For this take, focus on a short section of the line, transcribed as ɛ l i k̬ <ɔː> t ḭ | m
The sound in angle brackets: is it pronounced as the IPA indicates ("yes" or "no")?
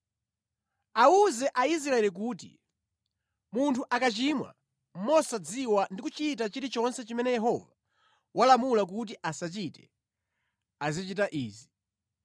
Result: no